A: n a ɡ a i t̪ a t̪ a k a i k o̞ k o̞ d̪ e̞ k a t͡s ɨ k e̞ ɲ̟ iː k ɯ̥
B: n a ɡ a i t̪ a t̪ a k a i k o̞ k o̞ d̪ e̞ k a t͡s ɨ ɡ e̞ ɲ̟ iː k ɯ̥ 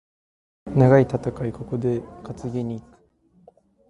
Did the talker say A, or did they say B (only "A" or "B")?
B